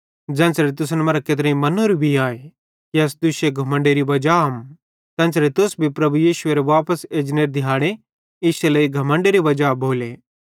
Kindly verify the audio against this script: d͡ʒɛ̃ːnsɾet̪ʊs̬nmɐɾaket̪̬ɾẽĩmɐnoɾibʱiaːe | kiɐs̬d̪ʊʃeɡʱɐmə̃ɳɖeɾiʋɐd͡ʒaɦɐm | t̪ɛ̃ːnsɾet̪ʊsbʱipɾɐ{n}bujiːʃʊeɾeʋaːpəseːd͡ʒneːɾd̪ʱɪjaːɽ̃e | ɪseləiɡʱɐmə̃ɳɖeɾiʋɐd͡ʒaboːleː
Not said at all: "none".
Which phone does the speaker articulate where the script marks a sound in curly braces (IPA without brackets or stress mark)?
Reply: none